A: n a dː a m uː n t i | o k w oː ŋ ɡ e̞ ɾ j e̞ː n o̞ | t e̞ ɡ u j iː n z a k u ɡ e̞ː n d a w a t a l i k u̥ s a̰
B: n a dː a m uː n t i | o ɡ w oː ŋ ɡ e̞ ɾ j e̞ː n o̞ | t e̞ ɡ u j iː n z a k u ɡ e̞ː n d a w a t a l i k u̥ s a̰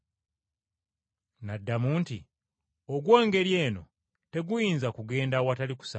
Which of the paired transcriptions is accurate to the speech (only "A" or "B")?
B